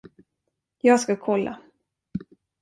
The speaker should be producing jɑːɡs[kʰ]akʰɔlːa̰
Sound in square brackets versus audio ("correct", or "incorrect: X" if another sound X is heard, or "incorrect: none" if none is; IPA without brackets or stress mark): incorrect: k